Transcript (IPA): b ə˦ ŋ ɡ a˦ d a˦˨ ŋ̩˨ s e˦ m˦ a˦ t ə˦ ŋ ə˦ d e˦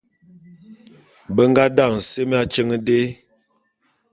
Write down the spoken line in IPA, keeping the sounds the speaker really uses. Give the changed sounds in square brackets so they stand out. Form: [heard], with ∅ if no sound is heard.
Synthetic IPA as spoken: b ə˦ ŋ ɡ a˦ d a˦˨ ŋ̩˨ s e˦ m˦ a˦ [t͡ʃ] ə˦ ŋ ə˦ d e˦